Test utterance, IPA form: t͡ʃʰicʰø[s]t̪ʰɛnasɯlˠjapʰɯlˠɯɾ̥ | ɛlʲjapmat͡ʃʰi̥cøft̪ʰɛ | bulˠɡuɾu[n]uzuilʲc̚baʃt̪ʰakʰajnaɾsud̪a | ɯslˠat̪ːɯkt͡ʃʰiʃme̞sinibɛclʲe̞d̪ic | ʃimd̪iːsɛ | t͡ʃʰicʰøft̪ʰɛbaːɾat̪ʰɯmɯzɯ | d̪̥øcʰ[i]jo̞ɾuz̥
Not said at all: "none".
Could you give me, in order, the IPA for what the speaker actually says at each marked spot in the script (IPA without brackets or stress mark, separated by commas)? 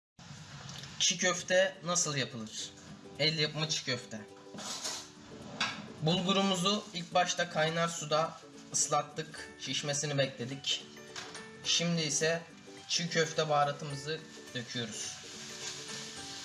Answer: f, m, y